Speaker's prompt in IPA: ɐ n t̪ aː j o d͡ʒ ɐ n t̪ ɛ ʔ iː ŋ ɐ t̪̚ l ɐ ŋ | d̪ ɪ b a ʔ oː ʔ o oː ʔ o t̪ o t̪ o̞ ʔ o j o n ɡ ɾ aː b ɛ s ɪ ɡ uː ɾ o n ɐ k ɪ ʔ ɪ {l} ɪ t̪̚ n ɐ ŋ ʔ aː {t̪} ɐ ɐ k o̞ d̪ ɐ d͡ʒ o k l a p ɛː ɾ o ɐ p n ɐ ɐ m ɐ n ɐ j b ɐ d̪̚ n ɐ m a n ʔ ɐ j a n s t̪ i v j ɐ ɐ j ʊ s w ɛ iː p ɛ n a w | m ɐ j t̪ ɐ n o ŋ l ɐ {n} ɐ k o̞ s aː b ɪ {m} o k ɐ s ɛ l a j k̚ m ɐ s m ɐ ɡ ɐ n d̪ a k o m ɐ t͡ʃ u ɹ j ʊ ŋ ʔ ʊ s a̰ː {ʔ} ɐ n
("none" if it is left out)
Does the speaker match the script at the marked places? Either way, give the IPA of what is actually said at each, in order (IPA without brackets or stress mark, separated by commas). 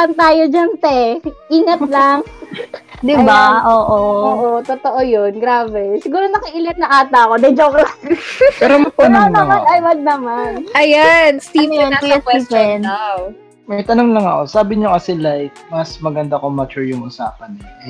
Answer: l, t̪, ŋ, ɲ, p